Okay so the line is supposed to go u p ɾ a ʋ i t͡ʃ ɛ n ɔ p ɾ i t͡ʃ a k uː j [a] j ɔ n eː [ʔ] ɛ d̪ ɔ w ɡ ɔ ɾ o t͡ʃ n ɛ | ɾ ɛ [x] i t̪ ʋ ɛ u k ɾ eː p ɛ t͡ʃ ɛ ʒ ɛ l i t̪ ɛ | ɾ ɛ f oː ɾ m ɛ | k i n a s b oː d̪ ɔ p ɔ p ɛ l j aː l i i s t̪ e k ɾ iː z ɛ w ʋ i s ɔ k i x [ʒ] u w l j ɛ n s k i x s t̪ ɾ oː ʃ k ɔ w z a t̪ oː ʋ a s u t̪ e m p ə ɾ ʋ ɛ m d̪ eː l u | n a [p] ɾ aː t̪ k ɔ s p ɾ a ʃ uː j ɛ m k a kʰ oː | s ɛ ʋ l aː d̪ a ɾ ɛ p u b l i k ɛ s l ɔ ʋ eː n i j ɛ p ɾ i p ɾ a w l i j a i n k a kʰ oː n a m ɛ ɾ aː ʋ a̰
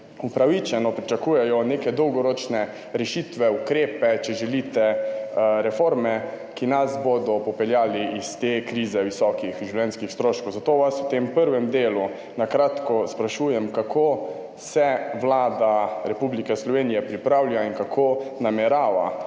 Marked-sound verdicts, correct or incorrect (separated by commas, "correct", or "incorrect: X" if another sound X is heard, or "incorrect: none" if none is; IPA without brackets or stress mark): incorrect: ɛ, incorrect: k, incorrect: ʃ, correct, incorrect: k